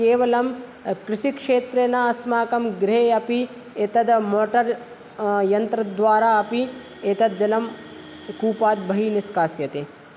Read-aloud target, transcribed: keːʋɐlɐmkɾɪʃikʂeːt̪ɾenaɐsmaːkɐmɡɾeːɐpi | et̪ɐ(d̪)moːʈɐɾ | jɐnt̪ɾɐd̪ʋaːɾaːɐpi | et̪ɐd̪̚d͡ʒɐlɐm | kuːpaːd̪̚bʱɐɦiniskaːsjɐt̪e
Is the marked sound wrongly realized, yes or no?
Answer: no